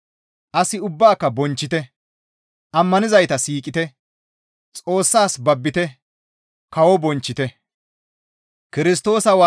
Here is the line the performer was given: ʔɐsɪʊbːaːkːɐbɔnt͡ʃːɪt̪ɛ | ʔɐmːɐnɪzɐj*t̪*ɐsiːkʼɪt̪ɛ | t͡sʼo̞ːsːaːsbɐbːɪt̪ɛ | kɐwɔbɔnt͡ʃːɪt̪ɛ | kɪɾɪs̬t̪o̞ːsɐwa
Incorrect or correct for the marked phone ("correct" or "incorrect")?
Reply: correct